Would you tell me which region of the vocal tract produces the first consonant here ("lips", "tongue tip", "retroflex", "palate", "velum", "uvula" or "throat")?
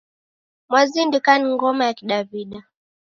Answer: lips